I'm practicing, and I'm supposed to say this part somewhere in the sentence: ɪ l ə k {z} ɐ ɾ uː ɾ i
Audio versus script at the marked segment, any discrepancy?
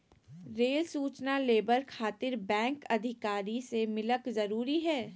no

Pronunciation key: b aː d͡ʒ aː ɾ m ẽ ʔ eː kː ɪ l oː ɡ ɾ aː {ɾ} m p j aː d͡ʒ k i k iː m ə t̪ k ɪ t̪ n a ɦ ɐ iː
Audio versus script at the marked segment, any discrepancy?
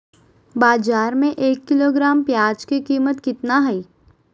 yes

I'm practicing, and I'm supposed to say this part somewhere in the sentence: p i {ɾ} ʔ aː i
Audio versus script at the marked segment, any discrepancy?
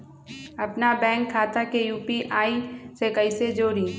yes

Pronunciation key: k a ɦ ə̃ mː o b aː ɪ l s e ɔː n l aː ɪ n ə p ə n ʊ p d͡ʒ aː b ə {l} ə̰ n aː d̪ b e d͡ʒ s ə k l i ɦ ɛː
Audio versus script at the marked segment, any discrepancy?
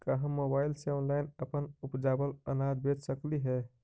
no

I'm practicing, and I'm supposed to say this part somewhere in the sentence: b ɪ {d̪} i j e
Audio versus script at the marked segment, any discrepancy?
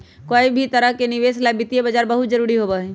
yes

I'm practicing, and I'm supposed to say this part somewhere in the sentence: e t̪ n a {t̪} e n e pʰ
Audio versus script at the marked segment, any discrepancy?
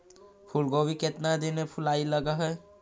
yes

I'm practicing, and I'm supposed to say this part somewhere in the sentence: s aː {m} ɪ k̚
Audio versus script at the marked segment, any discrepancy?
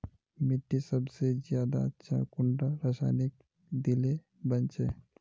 yes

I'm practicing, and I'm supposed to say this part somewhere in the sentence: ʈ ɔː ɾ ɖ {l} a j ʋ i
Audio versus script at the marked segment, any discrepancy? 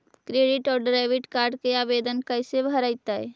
yes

